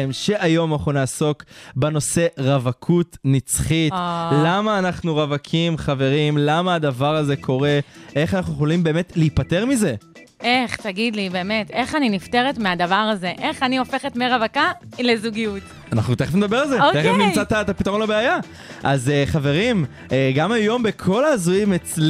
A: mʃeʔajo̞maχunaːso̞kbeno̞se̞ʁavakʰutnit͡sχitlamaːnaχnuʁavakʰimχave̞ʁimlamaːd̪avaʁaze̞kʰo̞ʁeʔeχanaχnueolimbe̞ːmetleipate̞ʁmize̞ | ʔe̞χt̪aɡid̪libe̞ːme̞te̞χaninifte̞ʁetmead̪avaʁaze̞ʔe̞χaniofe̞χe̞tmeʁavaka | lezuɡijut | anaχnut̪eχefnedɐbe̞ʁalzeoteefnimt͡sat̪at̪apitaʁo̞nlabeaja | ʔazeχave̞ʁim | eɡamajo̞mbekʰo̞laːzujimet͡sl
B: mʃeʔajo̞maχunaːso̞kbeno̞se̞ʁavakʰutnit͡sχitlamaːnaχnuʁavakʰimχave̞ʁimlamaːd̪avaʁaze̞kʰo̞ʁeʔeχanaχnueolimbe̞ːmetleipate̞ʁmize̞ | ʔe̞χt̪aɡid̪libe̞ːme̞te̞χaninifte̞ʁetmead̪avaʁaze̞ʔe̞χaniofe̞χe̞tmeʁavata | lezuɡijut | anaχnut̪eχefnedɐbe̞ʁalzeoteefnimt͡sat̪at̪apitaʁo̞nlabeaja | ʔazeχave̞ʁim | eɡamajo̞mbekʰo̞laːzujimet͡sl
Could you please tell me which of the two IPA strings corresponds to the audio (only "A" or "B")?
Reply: A